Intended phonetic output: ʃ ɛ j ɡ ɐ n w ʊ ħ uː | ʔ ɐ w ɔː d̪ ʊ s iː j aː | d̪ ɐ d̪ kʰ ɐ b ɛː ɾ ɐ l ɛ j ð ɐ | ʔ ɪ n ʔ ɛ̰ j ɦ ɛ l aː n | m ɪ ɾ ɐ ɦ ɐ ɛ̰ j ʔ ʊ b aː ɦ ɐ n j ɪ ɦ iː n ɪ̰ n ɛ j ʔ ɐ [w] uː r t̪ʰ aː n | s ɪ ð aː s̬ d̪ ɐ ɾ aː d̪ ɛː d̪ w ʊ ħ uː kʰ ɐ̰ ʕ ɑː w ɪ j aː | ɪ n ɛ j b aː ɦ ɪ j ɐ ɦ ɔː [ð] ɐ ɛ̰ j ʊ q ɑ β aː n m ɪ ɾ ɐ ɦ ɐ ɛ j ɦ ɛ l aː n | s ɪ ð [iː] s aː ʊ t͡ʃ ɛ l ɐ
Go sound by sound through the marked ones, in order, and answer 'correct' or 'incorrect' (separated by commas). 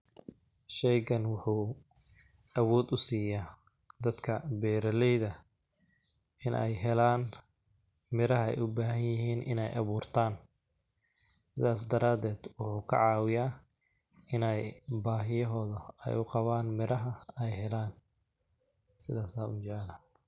incorrect, correct, incorrect